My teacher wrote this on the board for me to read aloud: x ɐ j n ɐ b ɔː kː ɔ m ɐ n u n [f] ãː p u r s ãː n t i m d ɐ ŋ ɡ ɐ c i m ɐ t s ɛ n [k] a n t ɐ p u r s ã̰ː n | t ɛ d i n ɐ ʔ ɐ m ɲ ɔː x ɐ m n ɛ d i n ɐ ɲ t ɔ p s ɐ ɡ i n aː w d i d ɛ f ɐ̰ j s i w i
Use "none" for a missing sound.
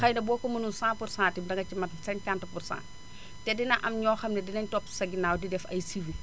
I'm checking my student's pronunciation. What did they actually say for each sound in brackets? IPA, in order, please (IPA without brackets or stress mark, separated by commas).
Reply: s, k